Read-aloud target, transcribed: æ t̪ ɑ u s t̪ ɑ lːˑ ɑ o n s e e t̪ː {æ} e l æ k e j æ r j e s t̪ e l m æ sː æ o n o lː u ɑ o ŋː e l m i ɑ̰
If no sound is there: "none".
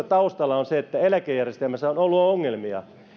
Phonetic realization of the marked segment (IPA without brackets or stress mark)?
æ